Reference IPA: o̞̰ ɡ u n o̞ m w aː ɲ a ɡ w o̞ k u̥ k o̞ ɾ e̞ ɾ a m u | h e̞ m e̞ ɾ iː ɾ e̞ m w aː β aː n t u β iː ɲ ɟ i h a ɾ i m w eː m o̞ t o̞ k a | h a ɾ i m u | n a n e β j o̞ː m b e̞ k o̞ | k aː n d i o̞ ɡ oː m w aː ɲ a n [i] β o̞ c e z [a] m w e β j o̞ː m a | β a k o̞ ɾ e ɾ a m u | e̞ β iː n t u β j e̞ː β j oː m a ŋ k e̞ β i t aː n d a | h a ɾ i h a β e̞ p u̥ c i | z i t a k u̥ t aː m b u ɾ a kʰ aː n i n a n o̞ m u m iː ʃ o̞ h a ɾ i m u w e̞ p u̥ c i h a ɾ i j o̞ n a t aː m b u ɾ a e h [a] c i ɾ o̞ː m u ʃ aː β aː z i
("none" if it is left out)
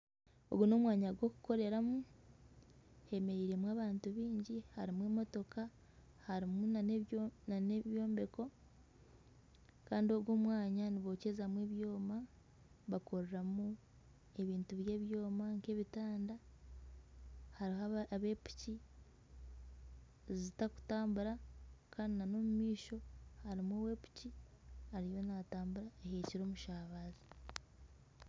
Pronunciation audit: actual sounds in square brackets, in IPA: i, a, e

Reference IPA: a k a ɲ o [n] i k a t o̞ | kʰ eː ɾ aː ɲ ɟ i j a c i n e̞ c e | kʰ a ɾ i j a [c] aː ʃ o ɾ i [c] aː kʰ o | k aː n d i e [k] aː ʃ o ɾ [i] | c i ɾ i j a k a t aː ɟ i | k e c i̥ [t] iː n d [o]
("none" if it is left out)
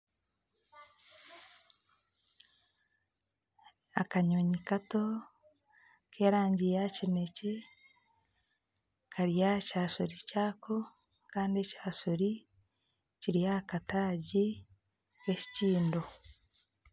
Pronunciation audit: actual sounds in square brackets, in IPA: ɲ, c, c, c, i, c, o

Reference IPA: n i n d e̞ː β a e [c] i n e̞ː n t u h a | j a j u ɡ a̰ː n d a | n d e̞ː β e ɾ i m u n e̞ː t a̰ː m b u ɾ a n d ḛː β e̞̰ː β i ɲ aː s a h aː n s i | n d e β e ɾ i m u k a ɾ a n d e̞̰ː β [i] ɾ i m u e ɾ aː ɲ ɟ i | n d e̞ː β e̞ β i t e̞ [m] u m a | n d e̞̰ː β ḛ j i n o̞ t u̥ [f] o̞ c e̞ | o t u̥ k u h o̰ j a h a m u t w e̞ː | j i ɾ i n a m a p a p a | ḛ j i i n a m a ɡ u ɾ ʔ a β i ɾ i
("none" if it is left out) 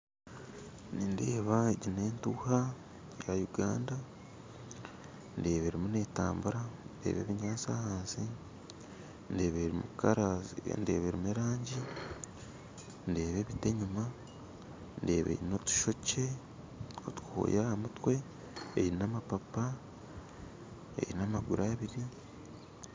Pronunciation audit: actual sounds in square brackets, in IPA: ɟ, e, ɲ, ʃ

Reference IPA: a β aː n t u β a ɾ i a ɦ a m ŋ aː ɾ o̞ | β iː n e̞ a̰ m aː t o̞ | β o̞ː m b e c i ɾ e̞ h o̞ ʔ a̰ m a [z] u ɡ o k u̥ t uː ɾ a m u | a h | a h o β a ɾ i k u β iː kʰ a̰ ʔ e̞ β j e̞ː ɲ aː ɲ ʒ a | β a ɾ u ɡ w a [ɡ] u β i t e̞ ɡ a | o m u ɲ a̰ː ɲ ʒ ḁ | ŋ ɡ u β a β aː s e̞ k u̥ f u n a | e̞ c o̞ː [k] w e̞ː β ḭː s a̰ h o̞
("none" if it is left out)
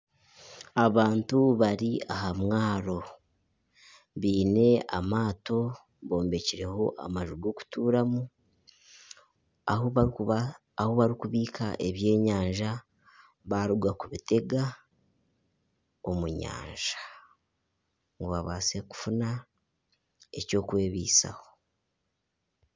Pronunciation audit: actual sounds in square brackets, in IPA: ʒ, k, k

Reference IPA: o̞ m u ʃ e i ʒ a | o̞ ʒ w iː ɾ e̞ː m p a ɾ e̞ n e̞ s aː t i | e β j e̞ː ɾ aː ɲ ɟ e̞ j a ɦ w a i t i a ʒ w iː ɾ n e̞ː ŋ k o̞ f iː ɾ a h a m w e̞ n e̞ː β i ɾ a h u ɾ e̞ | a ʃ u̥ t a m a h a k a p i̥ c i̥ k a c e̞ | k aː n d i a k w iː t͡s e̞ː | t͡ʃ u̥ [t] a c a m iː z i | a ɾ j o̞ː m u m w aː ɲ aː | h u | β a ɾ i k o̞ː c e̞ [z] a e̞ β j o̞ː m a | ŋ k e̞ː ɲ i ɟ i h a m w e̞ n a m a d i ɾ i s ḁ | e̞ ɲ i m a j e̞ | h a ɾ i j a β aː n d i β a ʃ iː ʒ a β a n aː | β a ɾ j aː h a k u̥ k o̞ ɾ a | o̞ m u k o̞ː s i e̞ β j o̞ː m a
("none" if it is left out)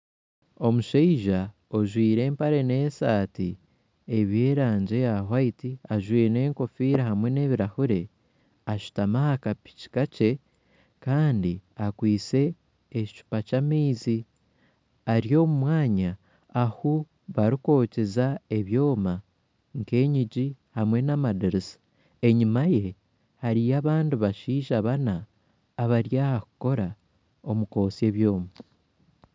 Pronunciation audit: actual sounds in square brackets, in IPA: p, z

